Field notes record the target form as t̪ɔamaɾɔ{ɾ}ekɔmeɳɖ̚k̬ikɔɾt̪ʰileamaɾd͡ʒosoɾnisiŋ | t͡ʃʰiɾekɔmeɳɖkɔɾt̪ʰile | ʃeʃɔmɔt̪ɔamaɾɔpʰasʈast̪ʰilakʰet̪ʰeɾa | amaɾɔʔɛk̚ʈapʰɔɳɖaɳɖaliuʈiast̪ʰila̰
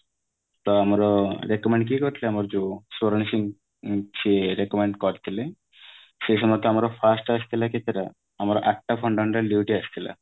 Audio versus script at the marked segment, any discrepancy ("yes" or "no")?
no